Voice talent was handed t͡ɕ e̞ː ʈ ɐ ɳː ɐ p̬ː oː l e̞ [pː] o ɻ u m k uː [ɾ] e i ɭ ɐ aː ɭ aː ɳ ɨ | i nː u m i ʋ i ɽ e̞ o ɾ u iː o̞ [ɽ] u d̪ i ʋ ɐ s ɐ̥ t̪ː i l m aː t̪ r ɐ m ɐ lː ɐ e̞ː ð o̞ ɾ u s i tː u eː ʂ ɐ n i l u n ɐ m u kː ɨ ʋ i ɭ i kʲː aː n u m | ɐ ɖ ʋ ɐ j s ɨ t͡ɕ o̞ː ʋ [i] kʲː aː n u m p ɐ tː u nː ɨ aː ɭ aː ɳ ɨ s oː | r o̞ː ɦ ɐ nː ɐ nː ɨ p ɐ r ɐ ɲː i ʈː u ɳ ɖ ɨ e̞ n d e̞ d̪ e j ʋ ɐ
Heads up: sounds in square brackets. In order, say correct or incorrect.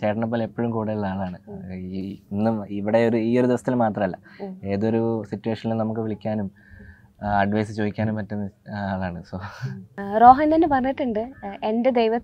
correct, incorrect: ɽ, incorrect: ɾ, correct

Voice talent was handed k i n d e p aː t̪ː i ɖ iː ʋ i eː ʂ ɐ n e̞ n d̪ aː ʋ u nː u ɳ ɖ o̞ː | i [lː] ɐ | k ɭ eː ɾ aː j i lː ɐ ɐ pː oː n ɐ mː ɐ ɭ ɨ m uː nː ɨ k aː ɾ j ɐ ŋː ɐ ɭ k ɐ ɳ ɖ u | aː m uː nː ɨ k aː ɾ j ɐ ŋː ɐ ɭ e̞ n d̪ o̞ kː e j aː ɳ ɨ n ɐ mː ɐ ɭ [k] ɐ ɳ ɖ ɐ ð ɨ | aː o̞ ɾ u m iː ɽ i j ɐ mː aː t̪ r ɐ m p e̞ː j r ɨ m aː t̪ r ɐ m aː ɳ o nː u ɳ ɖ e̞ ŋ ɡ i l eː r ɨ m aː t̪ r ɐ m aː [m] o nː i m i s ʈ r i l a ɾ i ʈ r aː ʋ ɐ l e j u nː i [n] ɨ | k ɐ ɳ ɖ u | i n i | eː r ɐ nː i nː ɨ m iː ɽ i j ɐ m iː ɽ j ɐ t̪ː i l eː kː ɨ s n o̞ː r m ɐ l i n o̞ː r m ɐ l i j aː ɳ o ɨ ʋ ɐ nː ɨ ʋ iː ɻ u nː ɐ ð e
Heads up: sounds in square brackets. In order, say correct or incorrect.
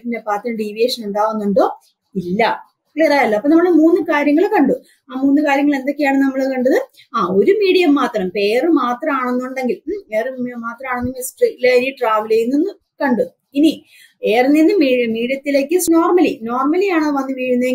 correct, correct, incorrect: ɳ, incorrect: nː

